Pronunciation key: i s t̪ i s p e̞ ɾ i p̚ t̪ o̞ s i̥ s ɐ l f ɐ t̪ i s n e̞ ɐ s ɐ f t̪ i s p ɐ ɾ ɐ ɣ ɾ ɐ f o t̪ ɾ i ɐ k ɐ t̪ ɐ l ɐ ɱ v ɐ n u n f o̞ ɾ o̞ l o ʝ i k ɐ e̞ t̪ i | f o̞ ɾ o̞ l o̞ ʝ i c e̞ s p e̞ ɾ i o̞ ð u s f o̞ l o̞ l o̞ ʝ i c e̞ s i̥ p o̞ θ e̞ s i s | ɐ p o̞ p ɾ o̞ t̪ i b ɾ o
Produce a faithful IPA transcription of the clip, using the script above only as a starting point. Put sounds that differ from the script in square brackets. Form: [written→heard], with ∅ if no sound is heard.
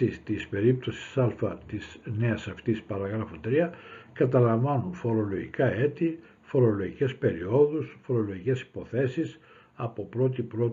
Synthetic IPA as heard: i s t̪ i s p e̞ ɾ i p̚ t̪ o̞ s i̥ s ɐ l f ɐ t̪ i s n e̞ ɐ s ɐ f t̪ i s p ɐ ɾ ɐ ɣ ɾ ɐ f o t̪ ɾ i ɐ k ɐ t̪ ɐ l ɐ ɱ v ɐ n u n f o̞ ɾ o̞ l o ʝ i k ɐ e̞ t̪ i | f o̞ ɾ o̞ l o̞ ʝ i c e̞ s p e̞ ɾ i o̞ ð u s f o̞ [l→ɾ] o̞ l o̞ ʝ i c e̞ s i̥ p o̞ θ e̞ s i s | ɐ p o̞ p ɾ o̞ t̪ i [b→p] ɾ o